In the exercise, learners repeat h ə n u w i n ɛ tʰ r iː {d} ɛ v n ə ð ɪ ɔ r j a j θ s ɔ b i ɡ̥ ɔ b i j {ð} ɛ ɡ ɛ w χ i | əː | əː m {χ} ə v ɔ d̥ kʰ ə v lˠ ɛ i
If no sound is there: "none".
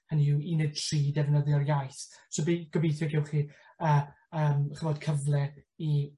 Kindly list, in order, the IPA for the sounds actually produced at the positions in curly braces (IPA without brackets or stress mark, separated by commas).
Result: d, θ, χ